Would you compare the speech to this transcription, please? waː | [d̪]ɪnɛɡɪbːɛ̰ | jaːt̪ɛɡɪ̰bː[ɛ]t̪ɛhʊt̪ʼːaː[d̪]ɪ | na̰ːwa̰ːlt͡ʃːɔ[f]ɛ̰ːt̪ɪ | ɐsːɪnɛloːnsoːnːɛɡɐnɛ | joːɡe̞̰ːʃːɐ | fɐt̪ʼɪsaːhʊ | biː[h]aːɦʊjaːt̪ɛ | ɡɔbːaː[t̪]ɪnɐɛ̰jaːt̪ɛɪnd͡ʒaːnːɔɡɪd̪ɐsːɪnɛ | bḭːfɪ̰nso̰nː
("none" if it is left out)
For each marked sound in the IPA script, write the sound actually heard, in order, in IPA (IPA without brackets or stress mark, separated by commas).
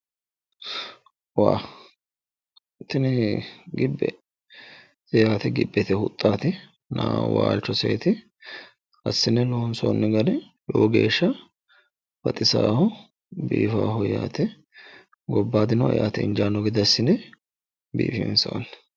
t̪, ɛ, t̪, s, f, d̪